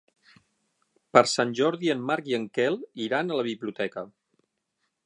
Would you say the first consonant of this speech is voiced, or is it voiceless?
voiceless